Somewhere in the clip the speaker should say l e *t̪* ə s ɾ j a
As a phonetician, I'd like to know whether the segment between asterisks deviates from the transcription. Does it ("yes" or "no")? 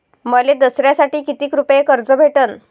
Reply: yes